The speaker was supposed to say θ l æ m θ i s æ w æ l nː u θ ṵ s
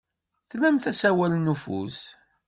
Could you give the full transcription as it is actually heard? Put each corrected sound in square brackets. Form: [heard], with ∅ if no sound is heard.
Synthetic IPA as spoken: θ l æ m θ [æ] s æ w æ l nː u [f] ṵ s